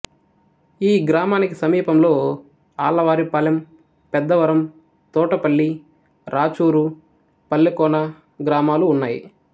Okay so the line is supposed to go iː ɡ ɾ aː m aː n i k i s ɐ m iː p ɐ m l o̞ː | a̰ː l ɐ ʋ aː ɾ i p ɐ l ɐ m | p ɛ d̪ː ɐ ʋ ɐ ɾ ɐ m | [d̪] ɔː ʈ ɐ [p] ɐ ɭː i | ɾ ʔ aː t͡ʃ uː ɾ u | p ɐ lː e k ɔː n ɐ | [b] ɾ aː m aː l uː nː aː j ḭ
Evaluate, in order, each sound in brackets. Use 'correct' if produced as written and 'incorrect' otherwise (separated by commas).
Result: incorrect, correct, incorrect